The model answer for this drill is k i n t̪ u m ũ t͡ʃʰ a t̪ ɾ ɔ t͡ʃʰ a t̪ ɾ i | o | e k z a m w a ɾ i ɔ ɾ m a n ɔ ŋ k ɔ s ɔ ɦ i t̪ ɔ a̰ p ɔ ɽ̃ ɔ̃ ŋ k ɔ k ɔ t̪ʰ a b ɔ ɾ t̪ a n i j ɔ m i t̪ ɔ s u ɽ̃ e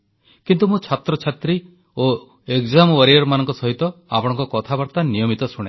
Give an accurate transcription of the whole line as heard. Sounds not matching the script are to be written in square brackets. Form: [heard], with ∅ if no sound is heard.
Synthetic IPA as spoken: k i n t̪ u m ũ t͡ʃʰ a t̪ ɾ ɔ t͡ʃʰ a t̪ ɾ i | o | e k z a m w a ɾ i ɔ ɾ m a n ɔ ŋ k ɔ s ɔ ɦ i t̪ ɔ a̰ p ɔ ɽ̃ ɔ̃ ŋ k ɔ k ɔ t̪ʰ a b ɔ ɾ t̪ a n i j ɔ m i t̪ ɔ s u ɽ̃ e